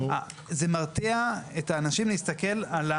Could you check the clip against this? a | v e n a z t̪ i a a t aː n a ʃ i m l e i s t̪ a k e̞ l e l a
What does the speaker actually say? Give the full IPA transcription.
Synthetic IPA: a | z e m a ʁ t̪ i a e t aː n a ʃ i m l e i s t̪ a k e̞ l a l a

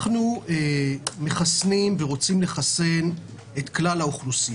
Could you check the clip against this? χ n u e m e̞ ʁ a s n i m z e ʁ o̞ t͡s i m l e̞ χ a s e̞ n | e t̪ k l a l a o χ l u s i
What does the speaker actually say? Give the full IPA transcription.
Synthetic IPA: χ n u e m e̞ χ a s n i m v e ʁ o̞ t͡s i m l e̞ χ a s e̞ n | e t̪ k l a l a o χ l u s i

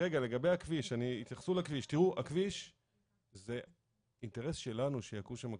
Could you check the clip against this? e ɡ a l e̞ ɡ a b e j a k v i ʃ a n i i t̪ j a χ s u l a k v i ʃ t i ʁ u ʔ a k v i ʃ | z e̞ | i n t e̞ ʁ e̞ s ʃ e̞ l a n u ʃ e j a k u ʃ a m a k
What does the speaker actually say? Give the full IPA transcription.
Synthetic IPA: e ɡ a l e̞ ɡ a b e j a k v i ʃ a n i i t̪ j a χ s u l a k v i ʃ t i ʁ u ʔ a k v i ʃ | z e̞ | i n t e̞ ʁ e̞ s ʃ e̞ l a n u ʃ e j a k u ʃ a m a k

